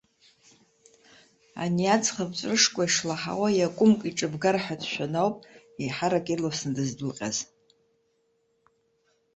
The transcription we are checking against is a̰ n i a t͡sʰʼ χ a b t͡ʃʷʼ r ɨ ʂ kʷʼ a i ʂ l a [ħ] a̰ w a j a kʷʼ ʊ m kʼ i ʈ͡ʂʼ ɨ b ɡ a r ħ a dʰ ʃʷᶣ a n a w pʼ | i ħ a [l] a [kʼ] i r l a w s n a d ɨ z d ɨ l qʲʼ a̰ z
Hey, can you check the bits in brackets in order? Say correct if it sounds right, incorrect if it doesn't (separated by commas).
correct, incorrect, correct